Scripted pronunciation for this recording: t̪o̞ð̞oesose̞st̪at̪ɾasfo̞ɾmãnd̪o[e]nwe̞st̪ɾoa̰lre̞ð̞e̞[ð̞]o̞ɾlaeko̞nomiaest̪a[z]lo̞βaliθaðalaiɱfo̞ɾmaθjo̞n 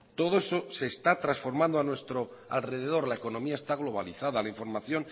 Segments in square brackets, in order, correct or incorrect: incorrect: a, correct, incorrect: ɣ

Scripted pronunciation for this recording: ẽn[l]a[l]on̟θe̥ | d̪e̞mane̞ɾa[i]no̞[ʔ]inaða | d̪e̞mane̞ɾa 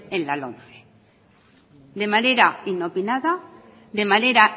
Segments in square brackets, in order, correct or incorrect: correct, correct, correct, incorrect: p

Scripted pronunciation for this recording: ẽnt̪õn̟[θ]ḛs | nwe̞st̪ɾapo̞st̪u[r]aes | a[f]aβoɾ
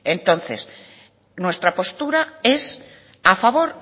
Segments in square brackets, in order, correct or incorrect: correct, incorrect: ɾ, correct

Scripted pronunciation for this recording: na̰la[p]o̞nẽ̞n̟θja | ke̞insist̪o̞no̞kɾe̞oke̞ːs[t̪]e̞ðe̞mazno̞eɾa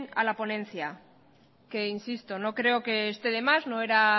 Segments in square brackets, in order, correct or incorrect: correct, correct

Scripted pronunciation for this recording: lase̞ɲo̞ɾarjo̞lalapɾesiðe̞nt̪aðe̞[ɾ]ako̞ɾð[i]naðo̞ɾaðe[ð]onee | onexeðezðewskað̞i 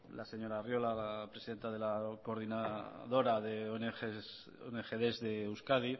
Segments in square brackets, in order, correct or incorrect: incorrect: l, correct, incorrect: none

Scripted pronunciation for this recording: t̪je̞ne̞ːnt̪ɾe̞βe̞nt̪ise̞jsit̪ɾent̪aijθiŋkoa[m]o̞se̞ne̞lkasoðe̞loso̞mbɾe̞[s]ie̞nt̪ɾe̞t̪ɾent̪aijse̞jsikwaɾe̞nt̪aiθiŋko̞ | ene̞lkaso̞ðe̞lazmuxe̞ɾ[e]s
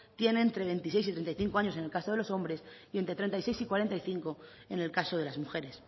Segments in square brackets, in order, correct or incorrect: incorrect: ɲ, correct, correct

